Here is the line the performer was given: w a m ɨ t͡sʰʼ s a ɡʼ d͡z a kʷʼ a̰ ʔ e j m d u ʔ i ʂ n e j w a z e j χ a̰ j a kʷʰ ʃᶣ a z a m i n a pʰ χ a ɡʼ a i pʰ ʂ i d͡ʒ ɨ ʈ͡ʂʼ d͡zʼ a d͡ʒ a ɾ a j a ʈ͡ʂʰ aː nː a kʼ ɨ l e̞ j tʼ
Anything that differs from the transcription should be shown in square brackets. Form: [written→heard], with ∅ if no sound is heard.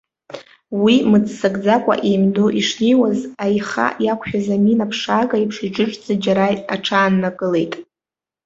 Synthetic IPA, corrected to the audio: w [a→i] m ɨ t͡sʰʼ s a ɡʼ d͡z a kʷʼ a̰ ʔ e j m d [u→o] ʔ i ʂ n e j w a z [e→a] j χ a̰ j a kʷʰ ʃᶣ a z a m i n a pʰ [χ→ʂ] a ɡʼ a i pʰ ʂ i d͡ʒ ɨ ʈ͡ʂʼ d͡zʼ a d͡ʒ a ɾ a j a ʈ͡ʂʰ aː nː a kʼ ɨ l e̞ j tʼ